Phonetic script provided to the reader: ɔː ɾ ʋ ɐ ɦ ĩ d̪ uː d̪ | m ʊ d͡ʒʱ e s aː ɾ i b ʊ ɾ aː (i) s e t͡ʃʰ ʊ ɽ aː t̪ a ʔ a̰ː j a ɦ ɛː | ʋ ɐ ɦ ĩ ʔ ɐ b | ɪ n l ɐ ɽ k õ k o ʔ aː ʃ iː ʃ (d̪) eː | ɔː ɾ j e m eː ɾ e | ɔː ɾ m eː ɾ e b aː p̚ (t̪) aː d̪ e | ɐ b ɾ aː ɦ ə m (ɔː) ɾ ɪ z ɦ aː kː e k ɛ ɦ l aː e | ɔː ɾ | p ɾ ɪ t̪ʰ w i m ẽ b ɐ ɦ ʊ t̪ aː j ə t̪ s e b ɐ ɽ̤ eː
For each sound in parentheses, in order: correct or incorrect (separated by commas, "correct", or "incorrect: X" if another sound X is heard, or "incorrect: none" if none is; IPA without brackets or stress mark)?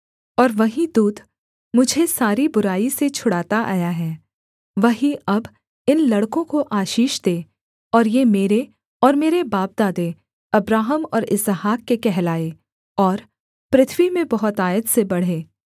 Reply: correct, correct, incorrect: d̪, correct